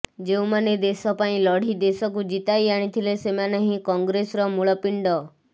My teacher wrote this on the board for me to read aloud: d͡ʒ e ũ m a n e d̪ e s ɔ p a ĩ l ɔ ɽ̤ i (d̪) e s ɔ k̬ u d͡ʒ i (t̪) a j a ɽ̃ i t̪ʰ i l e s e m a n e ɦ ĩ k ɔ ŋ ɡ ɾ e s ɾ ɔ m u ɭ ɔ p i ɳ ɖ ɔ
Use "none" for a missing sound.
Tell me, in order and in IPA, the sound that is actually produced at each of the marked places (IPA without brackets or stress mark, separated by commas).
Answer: d̪, t̪